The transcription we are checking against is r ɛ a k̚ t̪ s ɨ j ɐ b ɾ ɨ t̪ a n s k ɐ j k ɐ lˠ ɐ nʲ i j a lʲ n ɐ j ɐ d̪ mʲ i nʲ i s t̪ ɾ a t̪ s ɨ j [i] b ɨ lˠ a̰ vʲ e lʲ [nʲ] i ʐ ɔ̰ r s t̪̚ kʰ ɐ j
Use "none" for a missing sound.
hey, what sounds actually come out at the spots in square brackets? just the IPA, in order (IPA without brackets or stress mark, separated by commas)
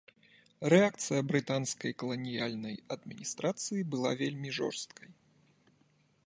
i, mʲ